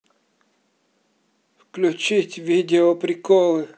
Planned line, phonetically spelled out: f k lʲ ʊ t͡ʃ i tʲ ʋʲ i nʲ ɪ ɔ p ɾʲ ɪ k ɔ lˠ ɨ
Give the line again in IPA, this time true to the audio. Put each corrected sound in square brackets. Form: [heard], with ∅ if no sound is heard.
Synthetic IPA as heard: f k lʲ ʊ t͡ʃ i tʲ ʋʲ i [dʲ] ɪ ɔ p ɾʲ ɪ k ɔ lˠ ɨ